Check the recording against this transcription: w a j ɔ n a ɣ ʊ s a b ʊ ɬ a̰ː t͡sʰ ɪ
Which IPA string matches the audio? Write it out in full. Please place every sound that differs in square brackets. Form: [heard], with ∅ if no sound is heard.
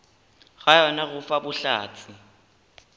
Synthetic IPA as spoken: [ɣ] a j ɔ n a ɣ ʊ [f] a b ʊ ɬ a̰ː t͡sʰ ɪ